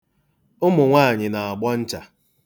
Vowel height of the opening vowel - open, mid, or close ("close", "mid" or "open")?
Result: close